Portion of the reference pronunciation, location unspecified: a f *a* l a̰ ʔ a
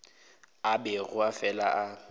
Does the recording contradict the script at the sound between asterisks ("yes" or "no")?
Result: yes